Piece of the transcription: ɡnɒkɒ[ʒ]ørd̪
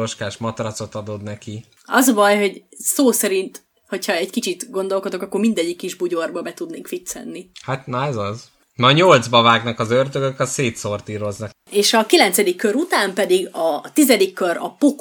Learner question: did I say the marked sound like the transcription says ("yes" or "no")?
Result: no